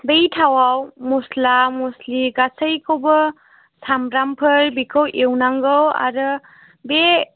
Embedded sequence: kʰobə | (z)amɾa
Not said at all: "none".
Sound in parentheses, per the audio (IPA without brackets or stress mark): s